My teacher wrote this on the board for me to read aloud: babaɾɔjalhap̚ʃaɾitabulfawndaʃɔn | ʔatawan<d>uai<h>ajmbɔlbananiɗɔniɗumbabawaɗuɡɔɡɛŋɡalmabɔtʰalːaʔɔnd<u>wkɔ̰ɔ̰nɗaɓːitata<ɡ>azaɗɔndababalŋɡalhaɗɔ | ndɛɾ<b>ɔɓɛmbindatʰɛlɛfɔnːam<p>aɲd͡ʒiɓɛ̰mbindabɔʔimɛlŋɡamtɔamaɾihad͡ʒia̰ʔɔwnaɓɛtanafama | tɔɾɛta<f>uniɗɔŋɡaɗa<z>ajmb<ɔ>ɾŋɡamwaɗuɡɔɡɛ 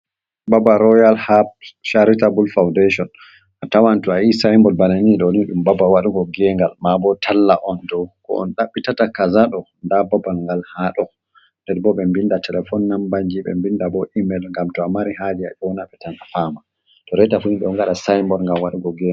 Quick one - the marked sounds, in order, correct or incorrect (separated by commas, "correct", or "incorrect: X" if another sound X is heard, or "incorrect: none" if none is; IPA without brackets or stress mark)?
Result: incorrect: t, incorrect: s, incorrect: ɔ, incorrect: k, correct, incorrect: b, correct, incorrect: s, correct